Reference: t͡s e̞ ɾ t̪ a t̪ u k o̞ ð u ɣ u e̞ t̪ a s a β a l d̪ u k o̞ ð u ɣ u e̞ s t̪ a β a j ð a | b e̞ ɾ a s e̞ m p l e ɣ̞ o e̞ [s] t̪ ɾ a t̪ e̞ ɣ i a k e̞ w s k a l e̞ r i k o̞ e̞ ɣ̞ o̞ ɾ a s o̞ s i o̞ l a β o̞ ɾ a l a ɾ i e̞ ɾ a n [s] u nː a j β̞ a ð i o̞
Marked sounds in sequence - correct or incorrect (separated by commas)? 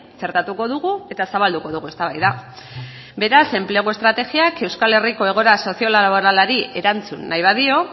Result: correct, incorrect